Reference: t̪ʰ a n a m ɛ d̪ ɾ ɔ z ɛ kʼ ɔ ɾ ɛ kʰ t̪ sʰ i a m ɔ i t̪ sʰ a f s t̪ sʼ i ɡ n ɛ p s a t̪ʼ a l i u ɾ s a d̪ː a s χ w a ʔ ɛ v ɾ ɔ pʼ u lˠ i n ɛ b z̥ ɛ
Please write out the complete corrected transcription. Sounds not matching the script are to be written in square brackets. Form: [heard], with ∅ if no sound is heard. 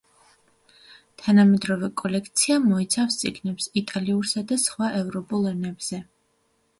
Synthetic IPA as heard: t̪ʰ a n a m ɛ d̪ ɾ ɔ [v] ɛ kʼ ɔ [l] ɛ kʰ t̪ sʰ i a m ɔ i t̪ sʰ a f s t̪ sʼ i ɡ n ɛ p s [i] t̪ʼ a l i u ɾ s a [d̪] a s χ w a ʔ ɛ v ɾ ɔ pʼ u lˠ [ɛ] n ɛ b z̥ ɛ